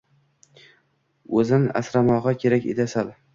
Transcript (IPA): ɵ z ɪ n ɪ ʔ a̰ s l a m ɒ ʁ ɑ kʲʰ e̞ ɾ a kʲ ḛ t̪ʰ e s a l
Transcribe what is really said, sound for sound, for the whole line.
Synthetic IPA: ɵ z ɪ n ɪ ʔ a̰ s ɾ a m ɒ ʁ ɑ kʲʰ e̞ ɾ a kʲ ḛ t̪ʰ a s a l